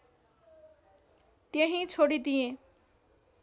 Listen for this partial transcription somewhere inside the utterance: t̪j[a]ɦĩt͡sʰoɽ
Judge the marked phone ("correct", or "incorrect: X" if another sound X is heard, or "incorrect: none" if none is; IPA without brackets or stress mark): incorrect: e